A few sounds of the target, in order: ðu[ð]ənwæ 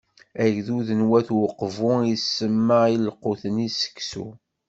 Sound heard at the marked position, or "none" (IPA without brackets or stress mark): ð